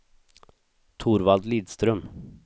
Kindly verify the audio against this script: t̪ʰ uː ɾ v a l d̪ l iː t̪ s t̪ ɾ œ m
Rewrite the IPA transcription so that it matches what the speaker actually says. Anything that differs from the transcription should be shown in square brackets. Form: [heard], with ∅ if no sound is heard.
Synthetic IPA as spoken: t̪ʰ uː ɾ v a l d̪ l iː [d̪] s t̪ ɾ œ m